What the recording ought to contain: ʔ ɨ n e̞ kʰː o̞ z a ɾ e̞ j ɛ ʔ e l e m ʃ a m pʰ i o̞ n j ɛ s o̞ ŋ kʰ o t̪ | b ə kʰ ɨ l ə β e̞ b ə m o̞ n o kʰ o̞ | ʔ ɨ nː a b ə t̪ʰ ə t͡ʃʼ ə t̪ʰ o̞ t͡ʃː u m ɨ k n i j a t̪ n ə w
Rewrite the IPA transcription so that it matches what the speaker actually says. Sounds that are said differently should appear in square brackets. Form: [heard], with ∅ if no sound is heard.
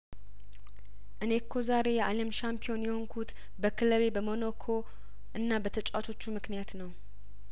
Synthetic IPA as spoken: ʔ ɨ n e̞ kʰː o̞ z a ɾ e̞ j ɛ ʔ [a] l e m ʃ a m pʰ i o̞ n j ɛ [h] o̞ ŋ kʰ [u] t̪ | b ə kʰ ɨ l ə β e̞ b ə m o̞ n o kʰ o̞ | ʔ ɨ nː a b ə t̪ʰ ə t͡ʃʼ [a] t̪ʰ o̞ t͡ʃː u m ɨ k n i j a t̪ n ə w